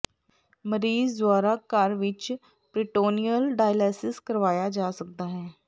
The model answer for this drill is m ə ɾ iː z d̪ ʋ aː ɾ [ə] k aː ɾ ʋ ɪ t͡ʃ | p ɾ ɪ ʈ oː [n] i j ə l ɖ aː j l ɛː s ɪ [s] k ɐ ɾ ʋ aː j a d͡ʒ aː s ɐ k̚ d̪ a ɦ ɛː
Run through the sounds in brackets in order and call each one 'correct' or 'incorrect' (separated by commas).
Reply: incorrect, correct, correct